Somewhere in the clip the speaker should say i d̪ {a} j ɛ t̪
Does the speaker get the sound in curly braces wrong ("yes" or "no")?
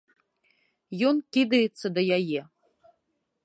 yes